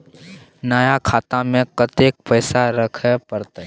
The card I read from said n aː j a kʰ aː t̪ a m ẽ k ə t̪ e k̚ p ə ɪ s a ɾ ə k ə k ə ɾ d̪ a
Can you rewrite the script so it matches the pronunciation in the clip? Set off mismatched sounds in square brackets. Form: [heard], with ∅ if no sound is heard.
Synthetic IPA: n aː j a kʰ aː t̪ a m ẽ k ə t̪ e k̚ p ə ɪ s a ɾ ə [kʰ] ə [p] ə ɾ [t̪] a